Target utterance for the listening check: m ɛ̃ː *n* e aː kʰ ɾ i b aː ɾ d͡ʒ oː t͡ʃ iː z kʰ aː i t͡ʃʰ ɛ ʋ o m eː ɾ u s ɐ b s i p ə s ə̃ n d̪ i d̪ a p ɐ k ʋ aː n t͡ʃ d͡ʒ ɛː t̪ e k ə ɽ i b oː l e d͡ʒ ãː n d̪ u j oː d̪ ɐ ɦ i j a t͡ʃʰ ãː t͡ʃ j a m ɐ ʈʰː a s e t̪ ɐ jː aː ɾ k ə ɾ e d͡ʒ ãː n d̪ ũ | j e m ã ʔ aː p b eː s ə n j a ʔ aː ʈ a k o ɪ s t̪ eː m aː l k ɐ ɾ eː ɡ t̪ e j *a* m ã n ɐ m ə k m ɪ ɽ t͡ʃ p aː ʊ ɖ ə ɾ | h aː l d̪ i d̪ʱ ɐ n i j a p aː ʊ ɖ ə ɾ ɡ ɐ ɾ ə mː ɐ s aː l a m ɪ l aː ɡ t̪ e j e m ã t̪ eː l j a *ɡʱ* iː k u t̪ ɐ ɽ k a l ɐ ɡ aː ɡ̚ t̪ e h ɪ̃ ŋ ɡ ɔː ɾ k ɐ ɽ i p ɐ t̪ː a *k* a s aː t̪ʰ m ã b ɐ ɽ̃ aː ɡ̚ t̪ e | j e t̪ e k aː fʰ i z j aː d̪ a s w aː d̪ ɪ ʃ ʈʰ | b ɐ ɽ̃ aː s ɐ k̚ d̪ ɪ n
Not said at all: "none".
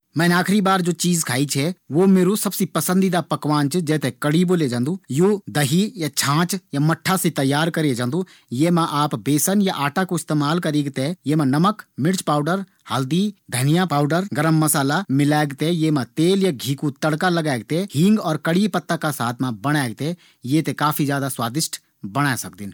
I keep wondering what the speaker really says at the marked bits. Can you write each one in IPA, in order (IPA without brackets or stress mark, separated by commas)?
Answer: n, e, ɡʱ, k